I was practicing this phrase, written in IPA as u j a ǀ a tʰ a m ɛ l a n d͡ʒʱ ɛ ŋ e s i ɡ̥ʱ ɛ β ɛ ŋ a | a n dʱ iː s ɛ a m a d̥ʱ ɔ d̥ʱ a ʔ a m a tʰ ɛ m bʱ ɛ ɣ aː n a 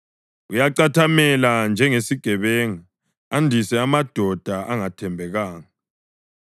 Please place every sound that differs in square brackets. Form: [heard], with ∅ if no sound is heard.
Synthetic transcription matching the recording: u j a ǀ a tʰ a m ɛ l a n d͡ʒʱ ɛ ŋ e s i ɡ̥ʱ ɛ β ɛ ŋ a | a n dʱ [i] s ɛ a m a d̥ʱ ɔ d̥ʱ a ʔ a [ŋ] a tʰ ɛ m bʱ ɛ ɣ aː [ŋ] a

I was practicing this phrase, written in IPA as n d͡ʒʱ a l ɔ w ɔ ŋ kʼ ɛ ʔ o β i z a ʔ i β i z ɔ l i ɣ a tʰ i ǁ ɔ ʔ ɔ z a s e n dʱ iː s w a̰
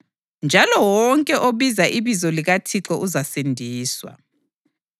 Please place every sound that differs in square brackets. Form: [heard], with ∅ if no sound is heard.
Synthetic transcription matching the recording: n d͡ʒʱ a l ɔ w ɔ ŋ kʼ ɛ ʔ o β i z a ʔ i β i z ɔ l i ɣ a tʰ i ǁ ɔ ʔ [u] z a s e n dʱ iː s w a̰

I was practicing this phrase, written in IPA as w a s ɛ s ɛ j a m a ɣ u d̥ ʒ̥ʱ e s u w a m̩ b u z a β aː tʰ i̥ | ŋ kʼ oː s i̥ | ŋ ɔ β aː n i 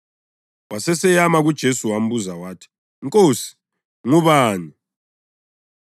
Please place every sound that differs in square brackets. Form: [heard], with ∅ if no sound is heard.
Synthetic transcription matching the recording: w a s ɛ s ɛ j a m a ɣ u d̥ ʒ̥ʱ e s u w a m̩ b u z a [w] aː tʰ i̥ | ŋ kʼ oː s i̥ | ŋ [u] β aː n i

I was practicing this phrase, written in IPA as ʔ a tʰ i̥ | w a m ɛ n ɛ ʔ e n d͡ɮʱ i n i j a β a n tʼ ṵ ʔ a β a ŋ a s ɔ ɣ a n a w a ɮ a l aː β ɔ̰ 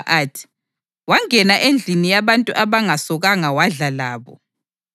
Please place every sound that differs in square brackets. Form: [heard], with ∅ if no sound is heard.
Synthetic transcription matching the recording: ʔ a tʰ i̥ | w a [ŋ] ɛ n [a] ʔ e n d͡ɮʱ i n i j a β a n tʼ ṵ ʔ a β a ŋ a s ɔ ɣ a [ŋ] a w a ɮ a l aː β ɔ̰

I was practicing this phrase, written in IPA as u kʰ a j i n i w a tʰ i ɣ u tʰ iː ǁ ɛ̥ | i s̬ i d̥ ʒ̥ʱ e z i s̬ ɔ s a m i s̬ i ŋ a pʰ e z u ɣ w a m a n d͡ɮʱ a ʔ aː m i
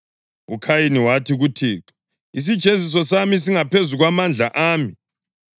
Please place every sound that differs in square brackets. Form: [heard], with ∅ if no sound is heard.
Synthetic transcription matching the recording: u kʰ a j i n i w a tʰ i ɣ u tʰ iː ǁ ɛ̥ | i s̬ i d̥ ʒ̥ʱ e z i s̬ ɔ s a m i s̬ i ŋ a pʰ e z u ɣ w a m a n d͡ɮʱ a ʔ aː m i

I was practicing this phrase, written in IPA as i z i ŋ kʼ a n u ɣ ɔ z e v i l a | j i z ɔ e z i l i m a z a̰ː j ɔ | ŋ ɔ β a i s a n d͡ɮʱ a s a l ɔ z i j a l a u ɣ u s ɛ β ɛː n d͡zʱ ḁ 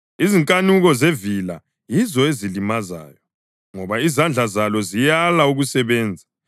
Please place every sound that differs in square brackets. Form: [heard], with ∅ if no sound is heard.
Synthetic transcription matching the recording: i z i ŋ kʼ a n u ɣ ɔ z e v i l a | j i z ɔ e z i l i m a z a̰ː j ɔ | ŋ ɔ β a i [z] a n d͡ɮʱ a [z] a l ɔ z i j a l a u ɣ u s ɛ β ɛː n d͡zʱ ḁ

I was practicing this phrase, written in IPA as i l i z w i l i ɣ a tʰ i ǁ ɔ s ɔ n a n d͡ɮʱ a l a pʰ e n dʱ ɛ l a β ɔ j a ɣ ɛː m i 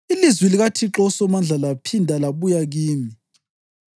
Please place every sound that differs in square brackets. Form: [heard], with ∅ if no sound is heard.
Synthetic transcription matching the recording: i l i z w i l i ɣ a tʰ i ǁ ɔ s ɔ [m] a n d͡ɮʱ a l a pʰ [i] n dʱ [a] l a β [u] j a ɣ [iː] m i

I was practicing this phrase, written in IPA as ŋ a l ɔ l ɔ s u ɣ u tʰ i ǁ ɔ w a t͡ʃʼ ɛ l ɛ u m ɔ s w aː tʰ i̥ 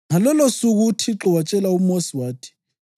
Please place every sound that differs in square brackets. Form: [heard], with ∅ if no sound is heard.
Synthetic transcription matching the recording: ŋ a l ɔ l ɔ s u ɣ u tʰ i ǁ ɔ w a t͡ʃʼ ɛ l [a] u m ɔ s w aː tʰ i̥

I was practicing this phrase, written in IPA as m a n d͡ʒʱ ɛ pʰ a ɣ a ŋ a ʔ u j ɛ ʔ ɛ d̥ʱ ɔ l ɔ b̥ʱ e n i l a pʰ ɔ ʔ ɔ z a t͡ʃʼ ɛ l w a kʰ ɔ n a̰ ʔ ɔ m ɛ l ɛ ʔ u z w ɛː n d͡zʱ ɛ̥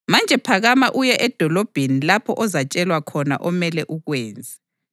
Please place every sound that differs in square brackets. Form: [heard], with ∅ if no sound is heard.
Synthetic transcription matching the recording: m a n d͡ʒʱ ɛ pʰ a ɣ a [m] a ʔ u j ɛ ʔ ɛ d̥ʱ ɔ l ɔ b̥ʱ e n i l a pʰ ɔ ʔ ɔ z a t͡ʃʼ ɛ l w a kʰ ɔ n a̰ ʔ ɔ m ɛ l ɛ ʔ u [ɣ] w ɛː n d͡zʱ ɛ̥

